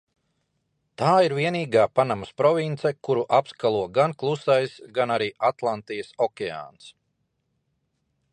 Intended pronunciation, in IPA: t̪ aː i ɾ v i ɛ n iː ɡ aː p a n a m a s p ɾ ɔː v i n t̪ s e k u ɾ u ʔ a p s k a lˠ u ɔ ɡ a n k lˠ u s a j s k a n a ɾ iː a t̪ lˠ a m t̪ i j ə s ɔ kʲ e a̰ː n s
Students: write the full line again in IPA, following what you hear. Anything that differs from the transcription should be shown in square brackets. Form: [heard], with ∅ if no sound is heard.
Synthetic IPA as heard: t̪ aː i ɾ v i ɛ n iː ɡ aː p a n a m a s p ɾ [ɔ] v i n t̪ s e k u ɾ u ʔ a p s k a lˠ u ɔ ɡ a n k lˠ u s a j s [ɡ] a n a ɾ iː a t̪ lˠ a [n] t̪ i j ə s ɔ kʲ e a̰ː n s